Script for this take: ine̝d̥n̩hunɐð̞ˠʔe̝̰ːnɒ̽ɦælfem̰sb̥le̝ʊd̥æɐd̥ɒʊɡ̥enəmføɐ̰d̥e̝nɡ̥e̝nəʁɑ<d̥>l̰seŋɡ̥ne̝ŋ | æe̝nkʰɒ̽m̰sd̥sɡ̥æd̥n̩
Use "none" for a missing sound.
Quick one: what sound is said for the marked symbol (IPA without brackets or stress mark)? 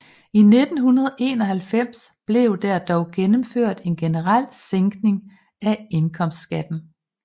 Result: none